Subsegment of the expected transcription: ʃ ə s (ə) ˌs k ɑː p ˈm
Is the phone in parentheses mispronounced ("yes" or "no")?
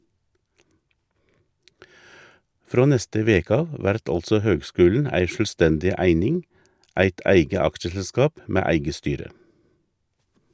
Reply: no